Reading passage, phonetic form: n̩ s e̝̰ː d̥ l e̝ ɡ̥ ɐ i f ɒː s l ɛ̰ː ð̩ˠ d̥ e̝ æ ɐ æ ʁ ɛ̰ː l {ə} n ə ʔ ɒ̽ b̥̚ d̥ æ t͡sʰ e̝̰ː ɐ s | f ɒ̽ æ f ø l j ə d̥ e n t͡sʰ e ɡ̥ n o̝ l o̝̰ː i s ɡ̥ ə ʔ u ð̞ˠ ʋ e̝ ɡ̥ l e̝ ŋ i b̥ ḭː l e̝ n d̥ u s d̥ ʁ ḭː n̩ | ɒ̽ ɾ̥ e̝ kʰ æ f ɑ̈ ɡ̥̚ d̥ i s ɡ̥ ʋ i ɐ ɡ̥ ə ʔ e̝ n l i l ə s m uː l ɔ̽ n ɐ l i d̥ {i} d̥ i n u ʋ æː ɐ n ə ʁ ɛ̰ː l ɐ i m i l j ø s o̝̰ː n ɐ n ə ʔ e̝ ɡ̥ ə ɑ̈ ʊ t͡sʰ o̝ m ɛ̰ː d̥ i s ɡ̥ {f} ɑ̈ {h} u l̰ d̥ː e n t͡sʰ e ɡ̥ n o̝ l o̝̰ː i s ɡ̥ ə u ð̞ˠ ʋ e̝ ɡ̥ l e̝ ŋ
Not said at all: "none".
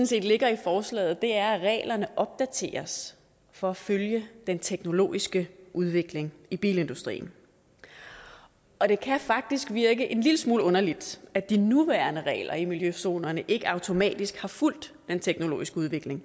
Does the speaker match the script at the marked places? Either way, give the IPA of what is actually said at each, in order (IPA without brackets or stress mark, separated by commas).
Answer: ɐ, æ, h, f